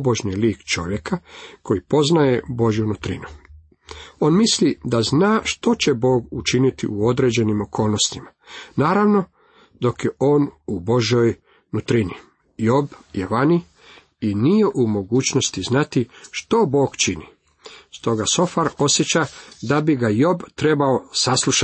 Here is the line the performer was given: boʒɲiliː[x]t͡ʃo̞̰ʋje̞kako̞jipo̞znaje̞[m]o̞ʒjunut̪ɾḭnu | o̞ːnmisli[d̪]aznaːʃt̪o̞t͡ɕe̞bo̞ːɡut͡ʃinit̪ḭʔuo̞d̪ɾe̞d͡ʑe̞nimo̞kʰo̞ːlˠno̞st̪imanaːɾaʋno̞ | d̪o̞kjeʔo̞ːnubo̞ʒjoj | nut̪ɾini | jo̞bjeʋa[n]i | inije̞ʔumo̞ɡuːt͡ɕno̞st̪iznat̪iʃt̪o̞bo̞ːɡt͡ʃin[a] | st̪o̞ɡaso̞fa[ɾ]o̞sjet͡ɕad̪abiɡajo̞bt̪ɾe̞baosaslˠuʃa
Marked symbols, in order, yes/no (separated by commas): no, no, yes, yes, no, yes